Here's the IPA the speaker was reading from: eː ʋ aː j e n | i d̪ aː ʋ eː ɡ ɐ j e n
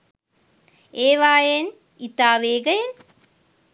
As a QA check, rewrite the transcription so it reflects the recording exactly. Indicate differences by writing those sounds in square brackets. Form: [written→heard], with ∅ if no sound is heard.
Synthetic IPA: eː ʋ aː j e n | i [d̪→t̪] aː ʋ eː ɡ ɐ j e n